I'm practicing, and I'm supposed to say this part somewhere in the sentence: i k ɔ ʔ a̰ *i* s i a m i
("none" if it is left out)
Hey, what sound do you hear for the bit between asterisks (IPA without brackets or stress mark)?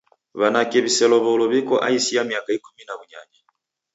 i